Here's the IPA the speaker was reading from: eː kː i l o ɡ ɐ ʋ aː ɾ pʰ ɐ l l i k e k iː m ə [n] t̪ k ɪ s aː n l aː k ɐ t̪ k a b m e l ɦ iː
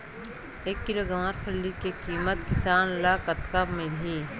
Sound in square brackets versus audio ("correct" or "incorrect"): incorrect